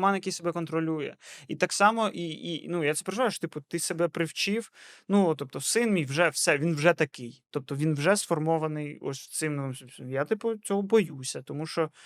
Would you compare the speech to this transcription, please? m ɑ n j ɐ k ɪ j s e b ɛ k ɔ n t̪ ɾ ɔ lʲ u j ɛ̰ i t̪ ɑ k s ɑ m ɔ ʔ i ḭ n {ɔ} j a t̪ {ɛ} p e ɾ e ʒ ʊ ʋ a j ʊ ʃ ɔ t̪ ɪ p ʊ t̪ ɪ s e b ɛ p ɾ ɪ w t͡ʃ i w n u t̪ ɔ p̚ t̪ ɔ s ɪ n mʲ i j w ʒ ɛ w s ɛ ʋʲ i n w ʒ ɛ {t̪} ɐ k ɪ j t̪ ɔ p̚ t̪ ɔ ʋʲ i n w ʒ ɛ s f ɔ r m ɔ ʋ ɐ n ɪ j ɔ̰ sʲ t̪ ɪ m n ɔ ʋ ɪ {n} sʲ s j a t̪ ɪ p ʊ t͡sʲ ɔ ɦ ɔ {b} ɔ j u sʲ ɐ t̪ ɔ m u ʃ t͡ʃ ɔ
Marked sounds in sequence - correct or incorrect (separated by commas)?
incorrect, correct, correct, incorrect, correct